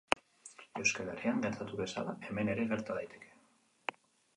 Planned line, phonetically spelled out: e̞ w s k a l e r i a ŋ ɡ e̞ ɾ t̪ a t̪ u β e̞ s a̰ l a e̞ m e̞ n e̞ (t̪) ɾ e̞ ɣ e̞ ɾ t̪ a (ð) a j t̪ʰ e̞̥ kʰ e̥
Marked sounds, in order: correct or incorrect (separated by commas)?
incorrect, correct